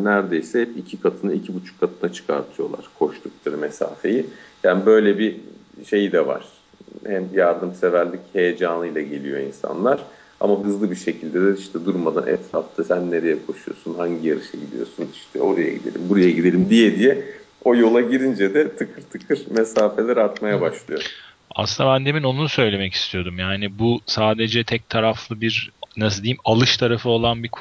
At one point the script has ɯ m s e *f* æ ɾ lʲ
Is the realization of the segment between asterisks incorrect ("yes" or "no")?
yes